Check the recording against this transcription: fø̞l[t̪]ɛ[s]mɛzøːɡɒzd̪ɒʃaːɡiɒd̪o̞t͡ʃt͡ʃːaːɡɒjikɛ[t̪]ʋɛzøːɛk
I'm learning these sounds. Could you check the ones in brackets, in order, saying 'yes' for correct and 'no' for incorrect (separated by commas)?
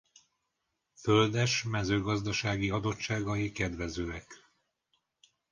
no, no, no